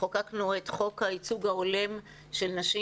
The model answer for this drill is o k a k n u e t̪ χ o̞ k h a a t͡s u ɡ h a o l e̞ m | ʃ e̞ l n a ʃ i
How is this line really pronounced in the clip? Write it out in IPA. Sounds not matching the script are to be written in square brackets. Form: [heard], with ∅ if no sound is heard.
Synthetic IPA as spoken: o k a k n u e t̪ χ o̞ k h a [i] t͡s u ɡ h a o l e̞ m | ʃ e̞ l n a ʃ i